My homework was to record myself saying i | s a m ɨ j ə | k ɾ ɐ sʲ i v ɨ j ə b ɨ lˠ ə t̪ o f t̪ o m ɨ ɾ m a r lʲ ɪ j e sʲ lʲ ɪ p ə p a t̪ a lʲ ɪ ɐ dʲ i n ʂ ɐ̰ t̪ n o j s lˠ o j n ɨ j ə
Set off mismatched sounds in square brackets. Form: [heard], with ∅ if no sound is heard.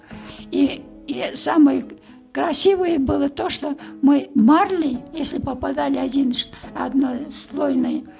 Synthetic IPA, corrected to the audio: i | s a m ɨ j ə | k ɾ ɐ sʲ i v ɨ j ə b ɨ lˠ ə t̪ o [ʂ] t̪ o m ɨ [∅] m a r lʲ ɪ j e sʲ lʲ ɪ p ə p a [d̪] a lʲ ɪ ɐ dʲ i n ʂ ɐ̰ [d̪] n o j s lˠ o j n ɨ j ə